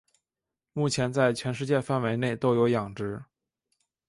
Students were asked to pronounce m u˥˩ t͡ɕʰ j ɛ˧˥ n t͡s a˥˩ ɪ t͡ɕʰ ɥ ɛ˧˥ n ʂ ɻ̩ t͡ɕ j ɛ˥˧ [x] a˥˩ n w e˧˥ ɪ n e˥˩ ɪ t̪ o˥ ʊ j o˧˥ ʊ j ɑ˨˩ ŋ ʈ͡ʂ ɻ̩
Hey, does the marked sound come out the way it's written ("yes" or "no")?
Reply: no